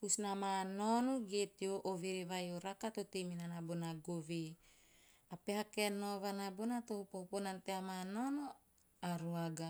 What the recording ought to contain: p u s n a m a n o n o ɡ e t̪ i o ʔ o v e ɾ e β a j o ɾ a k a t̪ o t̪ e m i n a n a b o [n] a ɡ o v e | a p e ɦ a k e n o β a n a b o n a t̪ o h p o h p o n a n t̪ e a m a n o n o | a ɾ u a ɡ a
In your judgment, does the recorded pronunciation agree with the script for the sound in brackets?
yes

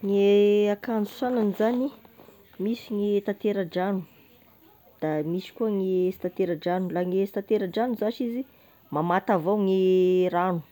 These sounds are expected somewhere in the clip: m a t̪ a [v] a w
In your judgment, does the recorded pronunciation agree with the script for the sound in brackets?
yes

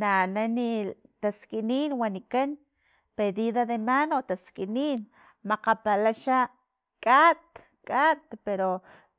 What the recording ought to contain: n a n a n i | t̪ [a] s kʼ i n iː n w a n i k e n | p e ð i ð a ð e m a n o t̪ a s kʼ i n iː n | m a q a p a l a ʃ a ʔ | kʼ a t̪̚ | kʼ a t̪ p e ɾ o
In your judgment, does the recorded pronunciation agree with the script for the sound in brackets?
yes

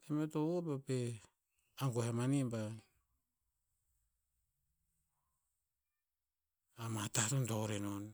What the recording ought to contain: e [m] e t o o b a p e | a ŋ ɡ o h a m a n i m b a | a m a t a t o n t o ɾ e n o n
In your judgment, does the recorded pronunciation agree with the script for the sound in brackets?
yes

